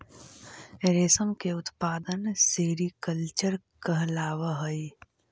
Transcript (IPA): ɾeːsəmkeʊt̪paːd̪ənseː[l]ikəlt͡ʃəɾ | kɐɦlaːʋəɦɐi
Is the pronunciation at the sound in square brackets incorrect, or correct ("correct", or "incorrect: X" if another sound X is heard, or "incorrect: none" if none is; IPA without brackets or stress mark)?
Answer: incorrect: ɾ